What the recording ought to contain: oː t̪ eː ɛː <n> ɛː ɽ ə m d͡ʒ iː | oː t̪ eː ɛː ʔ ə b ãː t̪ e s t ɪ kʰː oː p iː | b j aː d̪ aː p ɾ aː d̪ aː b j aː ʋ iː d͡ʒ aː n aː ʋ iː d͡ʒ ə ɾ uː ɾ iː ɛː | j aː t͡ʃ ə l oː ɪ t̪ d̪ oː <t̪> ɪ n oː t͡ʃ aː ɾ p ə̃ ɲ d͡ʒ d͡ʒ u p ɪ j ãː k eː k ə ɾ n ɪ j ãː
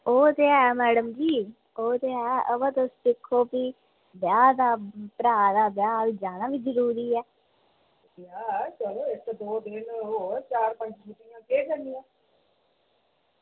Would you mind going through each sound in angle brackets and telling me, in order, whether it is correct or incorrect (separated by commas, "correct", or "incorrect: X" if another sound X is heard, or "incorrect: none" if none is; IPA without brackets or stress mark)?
incorrect: m, incorrect: d̪